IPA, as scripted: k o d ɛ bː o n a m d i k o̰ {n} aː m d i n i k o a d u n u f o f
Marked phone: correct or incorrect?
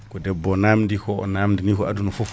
correct